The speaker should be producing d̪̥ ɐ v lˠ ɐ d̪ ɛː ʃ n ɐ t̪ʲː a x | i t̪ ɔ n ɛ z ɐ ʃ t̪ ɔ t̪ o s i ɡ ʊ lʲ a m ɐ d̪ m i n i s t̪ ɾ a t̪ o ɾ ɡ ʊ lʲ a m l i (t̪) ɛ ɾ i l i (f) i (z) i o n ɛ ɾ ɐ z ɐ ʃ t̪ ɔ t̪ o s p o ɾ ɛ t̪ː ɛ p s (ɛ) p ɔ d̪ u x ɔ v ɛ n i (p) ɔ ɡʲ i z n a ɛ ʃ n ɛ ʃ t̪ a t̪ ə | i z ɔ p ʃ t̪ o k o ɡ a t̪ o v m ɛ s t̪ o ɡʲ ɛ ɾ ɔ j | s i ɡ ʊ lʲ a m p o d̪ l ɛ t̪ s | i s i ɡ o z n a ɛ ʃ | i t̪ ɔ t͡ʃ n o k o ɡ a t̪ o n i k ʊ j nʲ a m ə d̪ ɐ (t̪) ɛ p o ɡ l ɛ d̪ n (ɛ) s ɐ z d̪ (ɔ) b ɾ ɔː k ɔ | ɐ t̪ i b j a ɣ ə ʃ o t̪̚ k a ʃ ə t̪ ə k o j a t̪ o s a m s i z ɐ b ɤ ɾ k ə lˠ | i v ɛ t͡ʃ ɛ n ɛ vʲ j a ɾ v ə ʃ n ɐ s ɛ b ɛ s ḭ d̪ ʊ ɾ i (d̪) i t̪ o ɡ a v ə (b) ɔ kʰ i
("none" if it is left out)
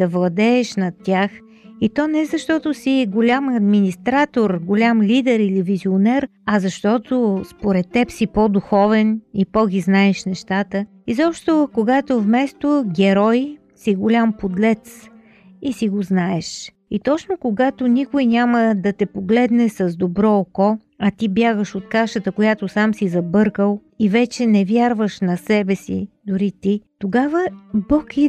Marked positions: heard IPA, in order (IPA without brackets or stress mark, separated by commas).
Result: d̪, v, z, i, p, t̪, ɛ, o, t̪, b